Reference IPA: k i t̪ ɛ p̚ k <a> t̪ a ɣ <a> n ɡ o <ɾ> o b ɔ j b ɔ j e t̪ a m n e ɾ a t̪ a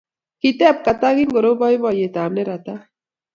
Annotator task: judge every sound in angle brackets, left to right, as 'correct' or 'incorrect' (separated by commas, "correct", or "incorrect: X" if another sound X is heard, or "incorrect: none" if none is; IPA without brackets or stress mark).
correct, incorrect: i, correct